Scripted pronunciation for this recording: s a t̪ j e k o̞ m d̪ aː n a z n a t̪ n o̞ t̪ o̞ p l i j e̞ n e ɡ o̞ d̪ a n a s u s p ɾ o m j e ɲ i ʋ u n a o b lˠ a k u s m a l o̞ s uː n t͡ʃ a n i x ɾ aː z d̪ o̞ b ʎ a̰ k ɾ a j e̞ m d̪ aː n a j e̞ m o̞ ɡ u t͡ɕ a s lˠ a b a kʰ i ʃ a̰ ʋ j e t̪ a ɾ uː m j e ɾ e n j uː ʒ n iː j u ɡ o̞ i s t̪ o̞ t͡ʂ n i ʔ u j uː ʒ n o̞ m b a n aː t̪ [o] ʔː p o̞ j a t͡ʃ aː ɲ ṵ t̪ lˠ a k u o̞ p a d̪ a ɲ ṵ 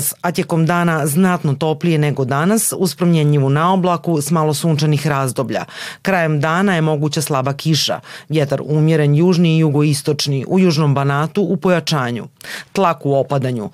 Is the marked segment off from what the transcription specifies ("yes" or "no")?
yes